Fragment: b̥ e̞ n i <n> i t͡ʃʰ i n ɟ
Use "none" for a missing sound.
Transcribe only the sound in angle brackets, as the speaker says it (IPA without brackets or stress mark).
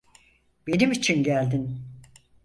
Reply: m